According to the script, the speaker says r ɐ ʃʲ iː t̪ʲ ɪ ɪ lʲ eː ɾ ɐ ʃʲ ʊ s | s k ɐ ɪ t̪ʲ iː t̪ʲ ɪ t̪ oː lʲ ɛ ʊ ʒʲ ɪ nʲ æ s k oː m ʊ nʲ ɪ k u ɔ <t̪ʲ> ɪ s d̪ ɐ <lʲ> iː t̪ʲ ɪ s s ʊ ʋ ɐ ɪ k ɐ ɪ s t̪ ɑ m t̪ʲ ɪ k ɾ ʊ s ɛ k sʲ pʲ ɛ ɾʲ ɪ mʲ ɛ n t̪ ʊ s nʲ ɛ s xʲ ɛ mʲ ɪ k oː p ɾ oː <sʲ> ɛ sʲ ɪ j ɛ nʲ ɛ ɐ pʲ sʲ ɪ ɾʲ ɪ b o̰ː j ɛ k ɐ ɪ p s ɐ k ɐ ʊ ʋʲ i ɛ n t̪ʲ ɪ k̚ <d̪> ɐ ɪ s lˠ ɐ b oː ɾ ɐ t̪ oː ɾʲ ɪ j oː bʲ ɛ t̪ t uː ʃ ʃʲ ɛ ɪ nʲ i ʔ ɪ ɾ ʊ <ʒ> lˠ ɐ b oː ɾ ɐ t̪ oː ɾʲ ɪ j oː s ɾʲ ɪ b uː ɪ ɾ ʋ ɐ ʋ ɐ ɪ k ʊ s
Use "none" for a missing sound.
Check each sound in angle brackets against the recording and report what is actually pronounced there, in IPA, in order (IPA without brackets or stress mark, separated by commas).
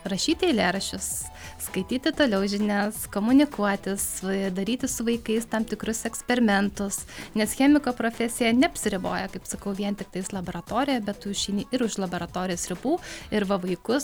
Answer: t̪ʲ, ɾʲ, fʲ, t̪, ʃ